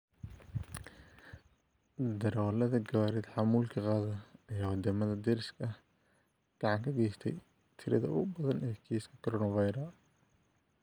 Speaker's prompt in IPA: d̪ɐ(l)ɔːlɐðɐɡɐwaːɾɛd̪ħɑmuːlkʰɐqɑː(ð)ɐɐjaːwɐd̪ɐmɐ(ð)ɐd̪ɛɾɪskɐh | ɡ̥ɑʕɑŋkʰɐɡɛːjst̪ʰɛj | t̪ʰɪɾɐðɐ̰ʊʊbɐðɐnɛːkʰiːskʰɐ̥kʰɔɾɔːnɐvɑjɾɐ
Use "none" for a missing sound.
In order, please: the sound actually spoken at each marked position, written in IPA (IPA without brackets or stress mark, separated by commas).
ɾ, ð, ð